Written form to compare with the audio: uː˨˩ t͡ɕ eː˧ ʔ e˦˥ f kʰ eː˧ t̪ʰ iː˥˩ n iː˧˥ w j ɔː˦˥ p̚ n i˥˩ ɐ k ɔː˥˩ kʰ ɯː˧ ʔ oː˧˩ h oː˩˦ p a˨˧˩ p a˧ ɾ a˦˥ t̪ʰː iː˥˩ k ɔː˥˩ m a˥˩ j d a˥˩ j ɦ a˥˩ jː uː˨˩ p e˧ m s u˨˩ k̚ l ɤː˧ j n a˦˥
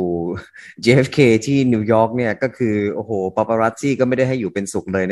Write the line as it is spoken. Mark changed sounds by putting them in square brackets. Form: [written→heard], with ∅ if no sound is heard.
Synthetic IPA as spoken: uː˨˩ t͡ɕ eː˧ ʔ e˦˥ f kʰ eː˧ t̪ʰ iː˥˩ n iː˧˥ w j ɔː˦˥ [p̚→k̚] n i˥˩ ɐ k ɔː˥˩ kʰ ɯː˧ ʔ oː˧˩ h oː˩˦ p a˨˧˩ p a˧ ɾ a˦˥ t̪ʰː iː˥˩ k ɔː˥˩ m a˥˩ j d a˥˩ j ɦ a˥˩ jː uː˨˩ p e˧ [m→n] s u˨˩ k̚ l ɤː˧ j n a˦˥